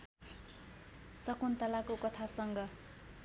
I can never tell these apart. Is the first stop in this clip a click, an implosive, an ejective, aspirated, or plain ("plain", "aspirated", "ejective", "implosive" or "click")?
plain